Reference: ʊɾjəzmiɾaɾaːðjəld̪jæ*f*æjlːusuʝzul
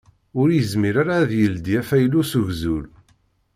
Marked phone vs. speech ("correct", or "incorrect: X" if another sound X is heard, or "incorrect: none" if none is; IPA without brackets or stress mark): correct